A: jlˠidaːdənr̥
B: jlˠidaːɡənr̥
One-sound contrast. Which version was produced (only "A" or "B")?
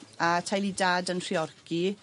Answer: A